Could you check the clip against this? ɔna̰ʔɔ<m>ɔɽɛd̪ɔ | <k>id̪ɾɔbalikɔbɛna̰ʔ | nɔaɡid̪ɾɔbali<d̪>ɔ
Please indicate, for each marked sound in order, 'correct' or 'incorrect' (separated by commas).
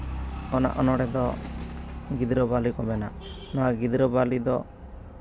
incorrect, incorrect, correct